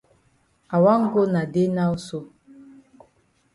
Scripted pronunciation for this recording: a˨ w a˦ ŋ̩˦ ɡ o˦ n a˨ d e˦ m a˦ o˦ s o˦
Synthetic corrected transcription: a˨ w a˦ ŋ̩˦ ɡ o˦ n a˨ d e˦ n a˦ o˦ s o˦